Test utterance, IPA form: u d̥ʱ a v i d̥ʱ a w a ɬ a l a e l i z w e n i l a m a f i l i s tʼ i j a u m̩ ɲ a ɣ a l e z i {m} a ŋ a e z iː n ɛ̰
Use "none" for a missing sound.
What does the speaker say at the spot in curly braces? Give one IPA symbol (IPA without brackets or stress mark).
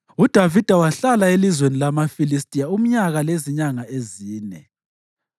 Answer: ɲ